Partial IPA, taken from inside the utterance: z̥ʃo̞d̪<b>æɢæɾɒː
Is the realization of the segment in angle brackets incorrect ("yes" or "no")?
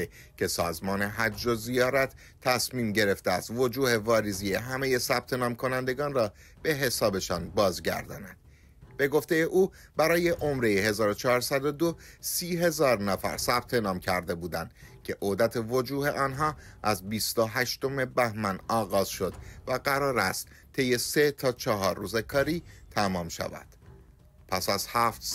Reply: yes